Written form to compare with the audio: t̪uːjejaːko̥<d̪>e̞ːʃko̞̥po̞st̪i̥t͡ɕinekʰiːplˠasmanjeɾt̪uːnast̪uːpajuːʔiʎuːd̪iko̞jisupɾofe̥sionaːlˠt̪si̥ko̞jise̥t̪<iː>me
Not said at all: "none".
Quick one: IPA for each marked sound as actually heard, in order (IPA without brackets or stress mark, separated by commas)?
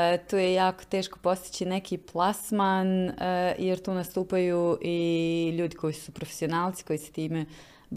t̪, iː